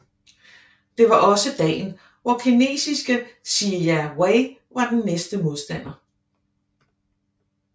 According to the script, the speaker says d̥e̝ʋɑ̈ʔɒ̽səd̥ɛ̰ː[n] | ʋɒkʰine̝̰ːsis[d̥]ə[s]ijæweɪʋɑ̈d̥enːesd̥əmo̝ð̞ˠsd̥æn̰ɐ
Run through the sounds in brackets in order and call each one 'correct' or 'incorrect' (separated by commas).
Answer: correct, incorrect, correct